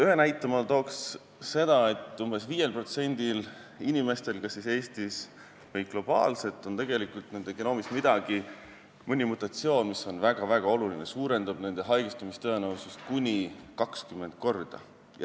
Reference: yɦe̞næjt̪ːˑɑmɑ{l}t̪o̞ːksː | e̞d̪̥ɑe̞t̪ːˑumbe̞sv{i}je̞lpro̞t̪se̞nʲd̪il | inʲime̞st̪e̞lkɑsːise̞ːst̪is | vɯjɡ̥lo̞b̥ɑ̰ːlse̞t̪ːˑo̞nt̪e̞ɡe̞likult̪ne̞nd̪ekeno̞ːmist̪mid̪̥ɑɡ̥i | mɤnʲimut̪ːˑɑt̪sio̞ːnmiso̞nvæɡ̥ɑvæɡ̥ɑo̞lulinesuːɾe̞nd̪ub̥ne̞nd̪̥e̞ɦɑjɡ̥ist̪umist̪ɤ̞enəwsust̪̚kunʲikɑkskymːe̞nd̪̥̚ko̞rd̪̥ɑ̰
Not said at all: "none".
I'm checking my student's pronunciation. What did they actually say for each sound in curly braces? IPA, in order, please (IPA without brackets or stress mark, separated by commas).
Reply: l, iː